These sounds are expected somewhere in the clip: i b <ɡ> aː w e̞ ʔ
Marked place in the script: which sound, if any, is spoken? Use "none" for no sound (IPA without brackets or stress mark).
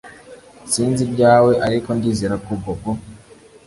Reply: ɟ